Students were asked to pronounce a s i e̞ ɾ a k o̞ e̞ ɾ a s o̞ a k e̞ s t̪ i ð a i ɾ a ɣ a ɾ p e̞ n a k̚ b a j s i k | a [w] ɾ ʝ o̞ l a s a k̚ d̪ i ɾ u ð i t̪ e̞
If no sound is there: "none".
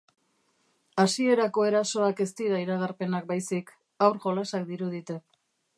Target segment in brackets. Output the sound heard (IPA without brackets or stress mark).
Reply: w